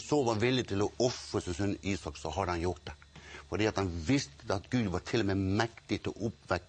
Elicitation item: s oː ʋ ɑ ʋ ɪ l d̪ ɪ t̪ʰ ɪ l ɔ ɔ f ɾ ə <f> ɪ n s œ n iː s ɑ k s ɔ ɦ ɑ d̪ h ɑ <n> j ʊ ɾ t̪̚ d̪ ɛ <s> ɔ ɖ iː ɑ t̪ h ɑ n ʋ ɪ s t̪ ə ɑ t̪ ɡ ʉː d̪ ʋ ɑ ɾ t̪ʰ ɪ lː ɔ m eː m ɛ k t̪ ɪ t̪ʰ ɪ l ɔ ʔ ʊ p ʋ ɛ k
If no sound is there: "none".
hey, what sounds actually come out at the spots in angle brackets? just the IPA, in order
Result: s, n, f

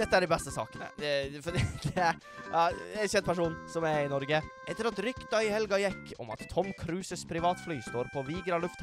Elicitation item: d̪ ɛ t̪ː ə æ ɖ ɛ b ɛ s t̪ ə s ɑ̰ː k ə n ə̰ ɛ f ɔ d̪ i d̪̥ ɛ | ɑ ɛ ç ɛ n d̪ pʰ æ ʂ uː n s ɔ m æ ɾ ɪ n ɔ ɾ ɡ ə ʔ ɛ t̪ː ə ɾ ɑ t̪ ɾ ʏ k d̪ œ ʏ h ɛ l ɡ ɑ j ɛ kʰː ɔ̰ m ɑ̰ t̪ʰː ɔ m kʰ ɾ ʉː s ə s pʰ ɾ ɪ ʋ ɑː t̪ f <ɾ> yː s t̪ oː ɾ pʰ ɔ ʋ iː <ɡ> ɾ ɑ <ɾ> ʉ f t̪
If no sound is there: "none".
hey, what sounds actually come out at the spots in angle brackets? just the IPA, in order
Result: l, ɡ, l

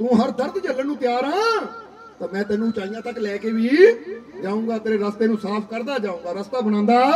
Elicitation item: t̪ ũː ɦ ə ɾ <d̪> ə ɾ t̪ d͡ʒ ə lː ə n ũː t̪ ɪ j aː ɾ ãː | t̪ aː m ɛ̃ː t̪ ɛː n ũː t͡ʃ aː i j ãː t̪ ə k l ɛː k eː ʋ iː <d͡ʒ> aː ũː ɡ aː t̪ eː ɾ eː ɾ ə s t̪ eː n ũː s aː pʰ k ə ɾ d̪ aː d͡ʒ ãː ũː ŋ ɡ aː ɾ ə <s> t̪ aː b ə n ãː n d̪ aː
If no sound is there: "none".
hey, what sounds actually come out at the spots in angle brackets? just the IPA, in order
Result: d̪, d͡ʒ, s

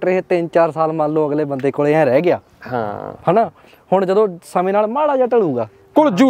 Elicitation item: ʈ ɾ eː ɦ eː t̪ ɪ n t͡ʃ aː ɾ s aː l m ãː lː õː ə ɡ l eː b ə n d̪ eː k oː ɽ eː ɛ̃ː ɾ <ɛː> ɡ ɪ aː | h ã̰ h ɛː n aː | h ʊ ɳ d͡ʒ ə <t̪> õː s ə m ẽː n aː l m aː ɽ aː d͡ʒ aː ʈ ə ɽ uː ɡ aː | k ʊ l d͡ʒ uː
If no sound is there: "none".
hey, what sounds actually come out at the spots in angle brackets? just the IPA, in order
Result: ɛː, d̪

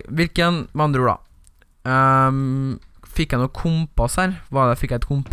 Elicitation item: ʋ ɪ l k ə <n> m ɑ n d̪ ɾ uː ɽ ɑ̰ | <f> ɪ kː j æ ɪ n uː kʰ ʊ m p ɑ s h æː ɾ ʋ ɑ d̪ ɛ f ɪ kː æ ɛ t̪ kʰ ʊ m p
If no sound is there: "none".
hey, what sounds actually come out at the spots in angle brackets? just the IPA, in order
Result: n, f

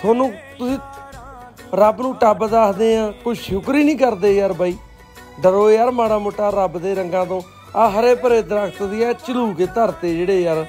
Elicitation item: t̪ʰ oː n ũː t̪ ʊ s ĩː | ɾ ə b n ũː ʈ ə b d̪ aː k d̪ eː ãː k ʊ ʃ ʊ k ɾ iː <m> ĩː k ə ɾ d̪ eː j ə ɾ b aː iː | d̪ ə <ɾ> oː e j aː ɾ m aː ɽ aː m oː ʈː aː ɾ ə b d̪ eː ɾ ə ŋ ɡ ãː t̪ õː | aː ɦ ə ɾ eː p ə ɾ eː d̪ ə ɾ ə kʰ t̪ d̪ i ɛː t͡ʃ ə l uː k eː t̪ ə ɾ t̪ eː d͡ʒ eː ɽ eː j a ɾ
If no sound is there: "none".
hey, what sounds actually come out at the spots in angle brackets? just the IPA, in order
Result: n, ɾ

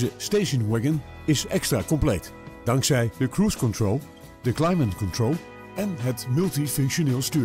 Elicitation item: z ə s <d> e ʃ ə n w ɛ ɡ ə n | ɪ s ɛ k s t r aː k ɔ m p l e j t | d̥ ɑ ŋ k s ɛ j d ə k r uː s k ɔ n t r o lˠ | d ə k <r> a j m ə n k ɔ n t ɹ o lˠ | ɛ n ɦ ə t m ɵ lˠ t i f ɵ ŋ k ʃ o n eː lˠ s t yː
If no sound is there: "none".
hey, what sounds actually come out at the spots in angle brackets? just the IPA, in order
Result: t, l

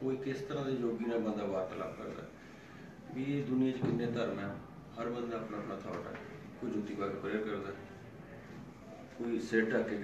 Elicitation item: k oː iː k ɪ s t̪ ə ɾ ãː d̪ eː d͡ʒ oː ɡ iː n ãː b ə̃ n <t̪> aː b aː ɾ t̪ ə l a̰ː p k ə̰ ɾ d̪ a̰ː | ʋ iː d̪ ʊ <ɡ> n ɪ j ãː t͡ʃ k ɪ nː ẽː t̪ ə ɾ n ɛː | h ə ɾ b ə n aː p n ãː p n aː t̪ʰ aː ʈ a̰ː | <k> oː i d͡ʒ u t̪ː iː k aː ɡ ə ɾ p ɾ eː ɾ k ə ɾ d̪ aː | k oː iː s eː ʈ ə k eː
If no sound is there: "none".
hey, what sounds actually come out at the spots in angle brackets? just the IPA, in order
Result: d̪, none, k

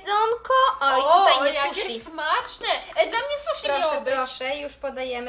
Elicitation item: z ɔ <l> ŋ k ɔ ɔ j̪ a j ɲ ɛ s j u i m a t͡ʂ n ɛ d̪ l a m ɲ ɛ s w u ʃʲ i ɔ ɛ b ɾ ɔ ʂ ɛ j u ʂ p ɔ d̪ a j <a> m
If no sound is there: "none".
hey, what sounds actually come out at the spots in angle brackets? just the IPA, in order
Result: none, ɛ

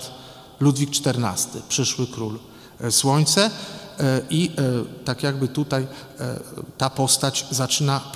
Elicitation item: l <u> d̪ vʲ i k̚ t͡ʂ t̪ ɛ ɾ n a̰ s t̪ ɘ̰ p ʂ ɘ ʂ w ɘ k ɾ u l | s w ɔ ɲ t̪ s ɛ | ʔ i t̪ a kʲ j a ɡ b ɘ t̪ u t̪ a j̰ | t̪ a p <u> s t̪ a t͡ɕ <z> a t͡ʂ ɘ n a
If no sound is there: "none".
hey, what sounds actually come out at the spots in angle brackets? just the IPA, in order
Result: u, ɔ, z

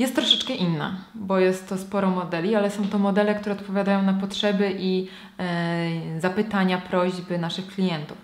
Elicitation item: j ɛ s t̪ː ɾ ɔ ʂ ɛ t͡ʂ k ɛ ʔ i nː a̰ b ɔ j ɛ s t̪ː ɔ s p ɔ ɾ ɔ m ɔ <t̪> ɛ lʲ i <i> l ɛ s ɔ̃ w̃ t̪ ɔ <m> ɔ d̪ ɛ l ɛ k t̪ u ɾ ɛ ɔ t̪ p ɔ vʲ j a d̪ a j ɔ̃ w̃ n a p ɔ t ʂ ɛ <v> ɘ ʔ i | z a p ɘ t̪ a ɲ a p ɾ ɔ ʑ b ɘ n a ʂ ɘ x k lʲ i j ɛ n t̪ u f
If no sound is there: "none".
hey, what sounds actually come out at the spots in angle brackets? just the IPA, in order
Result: d̪, a, m, b

